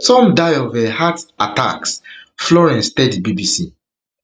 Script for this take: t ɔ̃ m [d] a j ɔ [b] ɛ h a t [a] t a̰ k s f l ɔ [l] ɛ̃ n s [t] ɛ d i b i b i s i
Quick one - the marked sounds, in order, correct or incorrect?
correct, incorrect: v, correct, incorrect: ɹ, correct

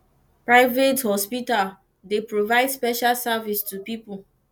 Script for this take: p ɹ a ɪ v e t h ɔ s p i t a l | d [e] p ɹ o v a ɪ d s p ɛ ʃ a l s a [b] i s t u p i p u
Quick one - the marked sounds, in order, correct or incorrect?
correct, incorrect: v

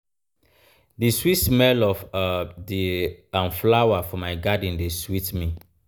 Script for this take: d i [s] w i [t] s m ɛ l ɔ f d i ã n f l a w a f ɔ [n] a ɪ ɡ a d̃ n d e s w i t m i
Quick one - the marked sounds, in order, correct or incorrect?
correct, correct, incorrect: m

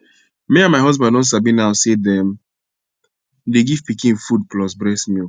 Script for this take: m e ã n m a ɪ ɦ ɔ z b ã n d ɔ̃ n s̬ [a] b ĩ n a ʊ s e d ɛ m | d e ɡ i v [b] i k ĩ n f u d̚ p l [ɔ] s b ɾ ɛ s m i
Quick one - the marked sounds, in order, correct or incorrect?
correct, incorrect: p, correct

